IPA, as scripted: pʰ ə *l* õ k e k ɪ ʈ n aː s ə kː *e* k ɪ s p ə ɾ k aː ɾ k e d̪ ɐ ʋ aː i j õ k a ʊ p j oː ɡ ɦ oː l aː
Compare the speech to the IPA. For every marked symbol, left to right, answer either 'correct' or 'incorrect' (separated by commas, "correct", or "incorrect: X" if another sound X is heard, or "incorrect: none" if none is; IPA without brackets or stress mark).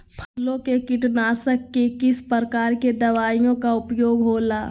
correct, correct